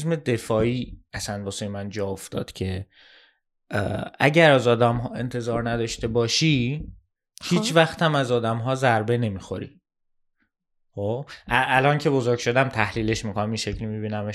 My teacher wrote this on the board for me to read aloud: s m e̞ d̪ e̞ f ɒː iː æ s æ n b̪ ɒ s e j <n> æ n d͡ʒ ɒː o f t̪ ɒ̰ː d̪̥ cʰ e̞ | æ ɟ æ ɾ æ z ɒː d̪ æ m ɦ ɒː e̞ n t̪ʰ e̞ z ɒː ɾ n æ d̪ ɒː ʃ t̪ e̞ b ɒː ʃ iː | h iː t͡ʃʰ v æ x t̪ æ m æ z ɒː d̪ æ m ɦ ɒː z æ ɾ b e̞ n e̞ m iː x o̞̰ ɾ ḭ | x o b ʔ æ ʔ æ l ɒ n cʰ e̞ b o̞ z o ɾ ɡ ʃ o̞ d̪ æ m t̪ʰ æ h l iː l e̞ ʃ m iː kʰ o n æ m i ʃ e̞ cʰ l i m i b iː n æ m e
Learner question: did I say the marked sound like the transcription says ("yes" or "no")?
no